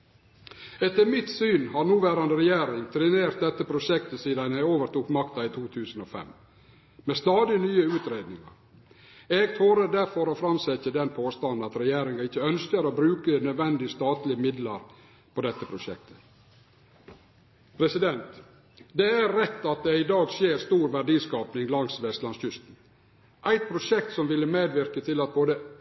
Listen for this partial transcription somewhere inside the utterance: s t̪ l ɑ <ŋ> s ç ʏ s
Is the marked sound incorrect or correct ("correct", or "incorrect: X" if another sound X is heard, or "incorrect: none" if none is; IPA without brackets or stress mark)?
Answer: incorrect: n